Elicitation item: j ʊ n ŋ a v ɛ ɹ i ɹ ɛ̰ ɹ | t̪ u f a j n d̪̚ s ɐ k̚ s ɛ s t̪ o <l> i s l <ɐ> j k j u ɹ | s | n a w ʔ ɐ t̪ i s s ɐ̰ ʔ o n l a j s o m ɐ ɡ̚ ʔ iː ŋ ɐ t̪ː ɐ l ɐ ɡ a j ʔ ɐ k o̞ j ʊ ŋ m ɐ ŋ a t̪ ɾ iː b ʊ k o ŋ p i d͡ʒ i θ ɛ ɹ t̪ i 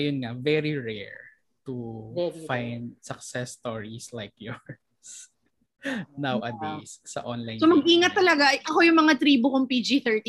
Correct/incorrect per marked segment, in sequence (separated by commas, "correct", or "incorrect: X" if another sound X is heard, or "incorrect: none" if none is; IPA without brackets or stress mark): incorrect: ɹ, incorrect: a